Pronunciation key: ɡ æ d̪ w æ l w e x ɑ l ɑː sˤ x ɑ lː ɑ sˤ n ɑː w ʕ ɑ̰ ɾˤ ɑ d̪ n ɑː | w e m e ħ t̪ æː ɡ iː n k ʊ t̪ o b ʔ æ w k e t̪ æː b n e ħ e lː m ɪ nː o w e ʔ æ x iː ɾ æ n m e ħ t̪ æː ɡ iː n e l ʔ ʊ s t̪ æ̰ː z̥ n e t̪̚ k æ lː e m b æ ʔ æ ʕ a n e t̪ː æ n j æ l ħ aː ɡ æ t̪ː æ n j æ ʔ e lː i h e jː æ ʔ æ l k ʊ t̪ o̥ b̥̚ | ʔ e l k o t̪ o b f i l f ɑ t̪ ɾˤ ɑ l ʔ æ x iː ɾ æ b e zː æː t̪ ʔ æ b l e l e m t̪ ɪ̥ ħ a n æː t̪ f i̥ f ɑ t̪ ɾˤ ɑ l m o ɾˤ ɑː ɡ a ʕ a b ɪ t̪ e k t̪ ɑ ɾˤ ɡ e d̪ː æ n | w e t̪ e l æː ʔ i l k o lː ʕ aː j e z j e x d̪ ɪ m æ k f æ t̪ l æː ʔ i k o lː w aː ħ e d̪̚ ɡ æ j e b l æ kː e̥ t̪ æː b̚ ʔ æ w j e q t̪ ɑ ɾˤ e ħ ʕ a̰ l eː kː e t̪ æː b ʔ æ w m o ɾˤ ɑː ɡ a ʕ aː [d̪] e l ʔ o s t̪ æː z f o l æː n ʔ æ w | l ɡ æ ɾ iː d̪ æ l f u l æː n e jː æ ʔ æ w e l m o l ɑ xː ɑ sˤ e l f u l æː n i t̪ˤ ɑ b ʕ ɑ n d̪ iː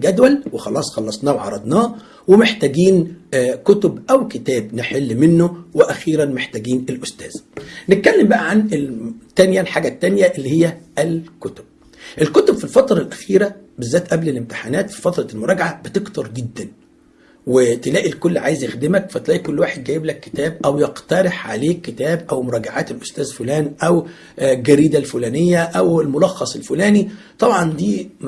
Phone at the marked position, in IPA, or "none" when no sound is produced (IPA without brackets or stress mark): t̪